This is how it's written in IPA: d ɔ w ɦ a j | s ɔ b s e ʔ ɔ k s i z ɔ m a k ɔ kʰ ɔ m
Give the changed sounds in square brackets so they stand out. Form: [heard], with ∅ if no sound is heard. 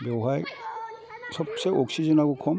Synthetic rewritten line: [b] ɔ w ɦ a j | s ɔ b s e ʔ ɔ k s i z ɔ [n] a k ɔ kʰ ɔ m

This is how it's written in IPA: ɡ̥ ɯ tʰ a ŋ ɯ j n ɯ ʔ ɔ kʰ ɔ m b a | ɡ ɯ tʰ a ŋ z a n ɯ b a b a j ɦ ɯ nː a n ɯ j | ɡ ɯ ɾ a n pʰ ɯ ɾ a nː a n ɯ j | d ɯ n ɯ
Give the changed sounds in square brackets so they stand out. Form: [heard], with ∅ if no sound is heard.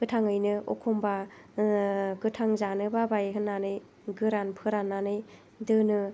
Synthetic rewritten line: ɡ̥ ɯ tʰ a ŋ ɯ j n ɯ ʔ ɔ kʰ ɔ m b a | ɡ ɯ tʰ a ŋ z a n ɯ b a b a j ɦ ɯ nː a n ɯ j | ɡ ɯ ɾ a n pʰ ɯ ɾ a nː a n ɯ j | d ɯ n ɯ

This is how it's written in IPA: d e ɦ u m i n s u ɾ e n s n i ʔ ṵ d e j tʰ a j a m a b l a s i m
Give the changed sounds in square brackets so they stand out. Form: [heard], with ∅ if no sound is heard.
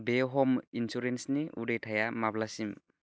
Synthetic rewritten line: [b] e ɦ [ɔ] m i n s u ɾ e n s n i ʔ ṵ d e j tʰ a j a m a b l a s i m

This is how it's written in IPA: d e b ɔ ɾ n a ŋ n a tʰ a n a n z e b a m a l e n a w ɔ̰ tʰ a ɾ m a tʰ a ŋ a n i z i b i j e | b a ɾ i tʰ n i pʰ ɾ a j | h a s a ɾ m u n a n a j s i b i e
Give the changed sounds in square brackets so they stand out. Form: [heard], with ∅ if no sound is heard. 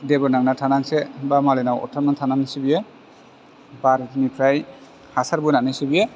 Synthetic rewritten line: d e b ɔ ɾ n a ŋ n a tʰ a n a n [s] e b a m a l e n a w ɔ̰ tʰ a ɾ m a tʰ a [n] a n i [s] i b i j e | b a ɾ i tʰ n i pʰ ɾ a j | h a s a ɾ [b] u n a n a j s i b i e

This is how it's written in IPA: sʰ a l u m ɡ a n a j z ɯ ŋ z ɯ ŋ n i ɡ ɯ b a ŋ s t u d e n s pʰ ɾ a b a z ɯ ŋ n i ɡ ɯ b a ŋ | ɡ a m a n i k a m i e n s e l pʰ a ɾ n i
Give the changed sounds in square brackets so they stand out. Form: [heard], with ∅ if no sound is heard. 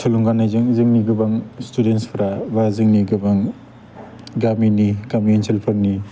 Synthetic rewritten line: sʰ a l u [ŋ] ɡ a n a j z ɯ ŋ z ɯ ŋ n i ɡ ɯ b a ŋ s t u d e n s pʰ ɾ a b a z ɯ ŋ n i ɡ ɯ b a ŋ | ɡ a m [i] n i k a m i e n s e l pʰ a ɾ n i

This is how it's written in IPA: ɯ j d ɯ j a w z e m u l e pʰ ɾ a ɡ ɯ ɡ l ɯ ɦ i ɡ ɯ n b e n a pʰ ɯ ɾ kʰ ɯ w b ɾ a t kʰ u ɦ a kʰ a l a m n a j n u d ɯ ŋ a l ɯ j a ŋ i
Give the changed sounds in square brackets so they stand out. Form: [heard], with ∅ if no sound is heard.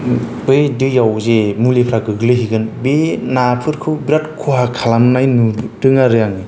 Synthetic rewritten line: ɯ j d ɯ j a w z e m u l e pʰ ɾ a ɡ ɯ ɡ l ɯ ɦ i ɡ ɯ n b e n a pʰ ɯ ɾ kʰ ɯ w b ɾ a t kʰ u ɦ a kʰ a l a m n a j n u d ɯ ŋ a [ɾ] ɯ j a ŋ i

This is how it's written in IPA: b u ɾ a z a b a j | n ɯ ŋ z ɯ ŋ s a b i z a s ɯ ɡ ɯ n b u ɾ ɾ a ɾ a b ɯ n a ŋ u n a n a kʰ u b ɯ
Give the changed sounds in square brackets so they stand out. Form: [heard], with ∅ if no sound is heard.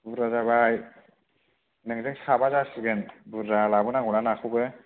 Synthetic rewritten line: b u ɾ a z a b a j | n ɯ ŋ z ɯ ŋ s a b [a] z a s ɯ ɡ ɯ n b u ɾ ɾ a [l] a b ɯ n a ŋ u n a n a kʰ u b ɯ

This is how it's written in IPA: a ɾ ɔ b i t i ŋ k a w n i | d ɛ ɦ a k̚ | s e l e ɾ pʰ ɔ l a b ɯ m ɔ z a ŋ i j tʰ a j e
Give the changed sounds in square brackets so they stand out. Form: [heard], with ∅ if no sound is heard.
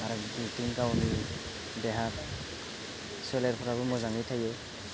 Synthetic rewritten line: a ɾ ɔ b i t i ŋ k a w n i | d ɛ ɦ a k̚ | s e l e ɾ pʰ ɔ [ɾ] a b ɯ m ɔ z a ŋ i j tʰ a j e

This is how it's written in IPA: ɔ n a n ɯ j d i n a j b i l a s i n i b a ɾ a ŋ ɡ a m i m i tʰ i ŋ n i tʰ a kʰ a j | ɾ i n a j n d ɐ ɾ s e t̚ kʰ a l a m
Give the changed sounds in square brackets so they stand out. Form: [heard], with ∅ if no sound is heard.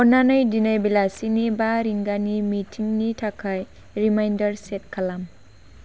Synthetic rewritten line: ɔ n a n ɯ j d i n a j b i l a s i n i b a ɾ [i] ŋ ɡ a [n] i m i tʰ i ŋ n i tʰ a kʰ a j | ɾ i [m] a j n d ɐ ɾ s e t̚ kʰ a l a m

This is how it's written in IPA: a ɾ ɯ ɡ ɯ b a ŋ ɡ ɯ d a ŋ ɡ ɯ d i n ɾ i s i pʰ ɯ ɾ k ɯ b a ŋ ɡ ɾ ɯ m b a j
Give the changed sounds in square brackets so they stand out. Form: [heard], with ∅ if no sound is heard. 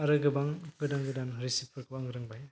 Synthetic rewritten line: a ɾ ɯ ɡ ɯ b a ŋ ɡ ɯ d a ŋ ɡ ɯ d [a] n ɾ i s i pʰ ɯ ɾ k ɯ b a ŋ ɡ ɾ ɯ [ŋ] b a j

